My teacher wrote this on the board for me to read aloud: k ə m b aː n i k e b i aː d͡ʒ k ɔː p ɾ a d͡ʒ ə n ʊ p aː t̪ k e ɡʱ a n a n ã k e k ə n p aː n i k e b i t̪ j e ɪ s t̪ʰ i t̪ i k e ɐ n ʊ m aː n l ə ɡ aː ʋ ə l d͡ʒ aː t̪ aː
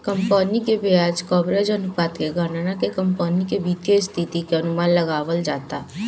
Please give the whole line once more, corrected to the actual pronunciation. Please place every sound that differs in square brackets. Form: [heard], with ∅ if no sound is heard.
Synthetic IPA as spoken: k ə m [p] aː n i k e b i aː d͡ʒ k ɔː [b] ɾ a d͡ʒ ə n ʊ p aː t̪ k e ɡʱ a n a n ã k e k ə [m] p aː n i k e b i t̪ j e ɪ s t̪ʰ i t̪ i k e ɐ n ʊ m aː n l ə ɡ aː ʋ ə l d͡ʒ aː t̪ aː

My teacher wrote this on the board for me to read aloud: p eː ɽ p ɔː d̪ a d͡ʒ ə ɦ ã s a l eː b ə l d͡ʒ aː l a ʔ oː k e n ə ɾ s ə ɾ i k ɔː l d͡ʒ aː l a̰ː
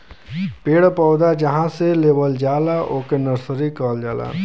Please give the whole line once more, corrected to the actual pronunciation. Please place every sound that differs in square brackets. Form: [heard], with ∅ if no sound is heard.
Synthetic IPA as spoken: p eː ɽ p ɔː d̪ a d͡ʒ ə ɦ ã s [e] l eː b ə l d͡ʒ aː l a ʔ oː k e n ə ɾ s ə ɾ i k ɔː l d͡ʒ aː l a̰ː

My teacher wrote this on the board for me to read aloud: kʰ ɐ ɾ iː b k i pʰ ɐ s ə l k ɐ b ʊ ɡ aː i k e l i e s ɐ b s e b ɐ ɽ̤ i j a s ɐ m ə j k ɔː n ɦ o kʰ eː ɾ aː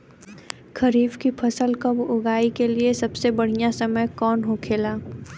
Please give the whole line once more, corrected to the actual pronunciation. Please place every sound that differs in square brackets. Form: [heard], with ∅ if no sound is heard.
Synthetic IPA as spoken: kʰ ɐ ɾ iː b k i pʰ ɐ s ə l k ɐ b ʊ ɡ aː i k e l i e s ɐ b s e b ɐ ɽ̤ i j a s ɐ m ə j k ɔː n ɦ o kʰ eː [l] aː

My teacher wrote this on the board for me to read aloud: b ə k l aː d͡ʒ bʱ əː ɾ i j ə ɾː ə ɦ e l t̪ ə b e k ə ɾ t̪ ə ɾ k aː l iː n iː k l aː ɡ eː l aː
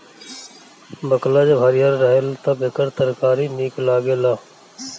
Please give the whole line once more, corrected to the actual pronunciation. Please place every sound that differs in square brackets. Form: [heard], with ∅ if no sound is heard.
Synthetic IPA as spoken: b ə k l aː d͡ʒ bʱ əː ɾ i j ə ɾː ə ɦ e l t̪ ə b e k ə ɾ t̪ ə ɾ k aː [ɾ] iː n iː k l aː ɡ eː l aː

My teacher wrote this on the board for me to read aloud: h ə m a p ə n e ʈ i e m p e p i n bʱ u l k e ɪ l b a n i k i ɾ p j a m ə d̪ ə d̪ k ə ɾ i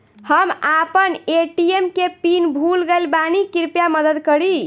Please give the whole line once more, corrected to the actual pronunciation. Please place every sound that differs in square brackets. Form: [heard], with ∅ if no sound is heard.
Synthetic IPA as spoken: h ə m a p ə n e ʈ i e m [k] e p i n bʱ u l [ɡ] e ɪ l b a n i k i ɾ p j a m ə d̪ ə d̪ k ə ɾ i

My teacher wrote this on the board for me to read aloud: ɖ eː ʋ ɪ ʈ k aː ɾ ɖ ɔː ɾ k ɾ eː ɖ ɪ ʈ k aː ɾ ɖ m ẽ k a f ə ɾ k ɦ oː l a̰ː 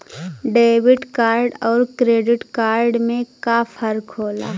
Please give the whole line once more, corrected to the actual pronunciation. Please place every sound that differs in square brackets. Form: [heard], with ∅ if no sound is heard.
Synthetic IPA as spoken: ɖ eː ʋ ɪ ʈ k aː ɾ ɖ ɔː ɾ k ɾ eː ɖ ɪ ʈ k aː ɾ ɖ m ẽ k a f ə ɾ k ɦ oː l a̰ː

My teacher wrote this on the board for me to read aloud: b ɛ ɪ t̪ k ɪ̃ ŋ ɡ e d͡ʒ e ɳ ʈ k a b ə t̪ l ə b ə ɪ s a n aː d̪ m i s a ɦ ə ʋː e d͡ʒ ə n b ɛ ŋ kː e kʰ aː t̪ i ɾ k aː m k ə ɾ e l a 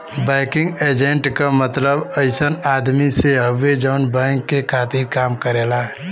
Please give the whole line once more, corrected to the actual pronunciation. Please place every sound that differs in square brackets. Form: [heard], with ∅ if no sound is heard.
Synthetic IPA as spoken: b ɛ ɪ [∅] k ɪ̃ ŋ ɡ e d͡ʒ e ɳ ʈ k a [m] ə t̪ l ə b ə ɪ s [ə] n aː d̪ m i s [e] ɦ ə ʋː e d͡ʒ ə n b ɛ ŋ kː e kʰ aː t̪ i ɾ k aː m k ə ɾ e l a

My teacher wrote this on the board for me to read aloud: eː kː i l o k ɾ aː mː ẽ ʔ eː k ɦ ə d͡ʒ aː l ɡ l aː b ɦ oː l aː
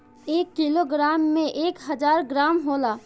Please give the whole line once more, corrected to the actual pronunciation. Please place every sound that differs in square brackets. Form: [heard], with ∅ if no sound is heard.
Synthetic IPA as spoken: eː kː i l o [ɡ] ɾ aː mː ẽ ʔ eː k ɦ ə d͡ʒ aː [ɾ] ɡ [ɾ] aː [m] ɦ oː l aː

